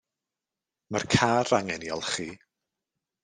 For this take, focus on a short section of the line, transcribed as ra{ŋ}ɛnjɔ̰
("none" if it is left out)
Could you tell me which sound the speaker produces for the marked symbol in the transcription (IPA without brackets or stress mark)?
ŋ